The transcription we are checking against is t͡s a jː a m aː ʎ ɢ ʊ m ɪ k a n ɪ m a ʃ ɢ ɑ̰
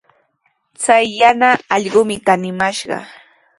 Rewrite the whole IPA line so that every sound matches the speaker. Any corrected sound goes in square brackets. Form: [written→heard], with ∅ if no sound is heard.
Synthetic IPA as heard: t͡s a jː a [m→n] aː ʎ ɢ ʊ m ɪ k a n ɪ m a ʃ ɢ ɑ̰